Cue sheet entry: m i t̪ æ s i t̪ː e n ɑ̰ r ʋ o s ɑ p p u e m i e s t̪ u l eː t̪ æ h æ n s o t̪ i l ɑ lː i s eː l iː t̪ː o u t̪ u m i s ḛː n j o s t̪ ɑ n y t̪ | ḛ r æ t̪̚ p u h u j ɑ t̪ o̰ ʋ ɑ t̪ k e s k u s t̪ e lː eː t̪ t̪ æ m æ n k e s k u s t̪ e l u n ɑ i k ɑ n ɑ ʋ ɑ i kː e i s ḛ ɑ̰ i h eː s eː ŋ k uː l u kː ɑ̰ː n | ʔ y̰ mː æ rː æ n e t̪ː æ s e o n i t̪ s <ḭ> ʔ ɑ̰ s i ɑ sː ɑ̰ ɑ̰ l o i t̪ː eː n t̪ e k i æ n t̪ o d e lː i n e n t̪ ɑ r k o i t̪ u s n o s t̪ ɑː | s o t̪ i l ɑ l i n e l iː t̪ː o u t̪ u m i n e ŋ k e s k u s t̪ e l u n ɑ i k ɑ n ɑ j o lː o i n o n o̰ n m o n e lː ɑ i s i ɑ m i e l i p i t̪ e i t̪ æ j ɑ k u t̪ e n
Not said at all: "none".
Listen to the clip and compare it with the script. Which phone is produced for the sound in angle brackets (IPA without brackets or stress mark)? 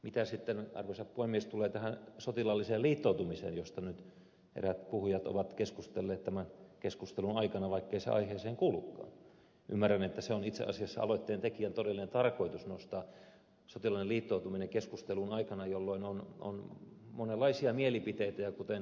ḛ